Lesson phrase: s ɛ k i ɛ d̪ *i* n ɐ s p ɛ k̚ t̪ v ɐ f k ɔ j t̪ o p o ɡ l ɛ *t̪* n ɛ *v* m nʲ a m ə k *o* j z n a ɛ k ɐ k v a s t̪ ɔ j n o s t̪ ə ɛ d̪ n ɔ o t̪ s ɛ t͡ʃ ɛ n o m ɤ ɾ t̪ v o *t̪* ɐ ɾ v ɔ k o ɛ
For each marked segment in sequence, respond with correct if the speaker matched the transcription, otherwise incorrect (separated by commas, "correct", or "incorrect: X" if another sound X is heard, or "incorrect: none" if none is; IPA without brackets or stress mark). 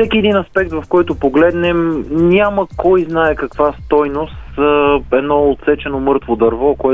correct, incorrect: d̪, incorrect: none, incorrect: ɔ, incorrect: d̪